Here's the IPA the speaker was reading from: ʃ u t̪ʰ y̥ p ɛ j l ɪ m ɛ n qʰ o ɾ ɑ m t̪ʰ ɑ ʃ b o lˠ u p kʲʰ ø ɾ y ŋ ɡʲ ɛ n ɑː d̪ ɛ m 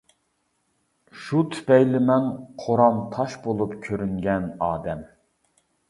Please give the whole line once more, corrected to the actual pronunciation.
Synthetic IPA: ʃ u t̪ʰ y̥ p ɛ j l ɪ m ɛ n qʰ o ɾ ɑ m t̪ʰ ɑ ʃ b o lˠ u p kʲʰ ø ɾ y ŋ ɡʲ ɛ n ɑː d̪ ɛ m